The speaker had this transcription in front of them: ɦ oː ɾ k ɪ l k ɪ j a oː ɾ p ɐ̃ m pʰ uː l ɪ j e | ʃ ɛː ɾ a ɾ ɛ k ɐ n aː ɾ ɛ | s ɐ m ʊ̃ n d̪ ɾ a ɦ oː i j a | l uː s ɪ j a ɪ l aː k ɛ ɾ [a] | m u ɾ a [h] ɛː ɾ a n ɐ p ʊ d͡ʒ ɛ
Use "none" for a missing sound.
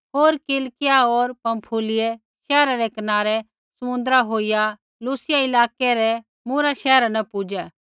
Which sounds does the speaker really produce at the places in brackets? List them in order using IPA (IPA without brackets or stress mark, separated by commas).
ɛ, ʃ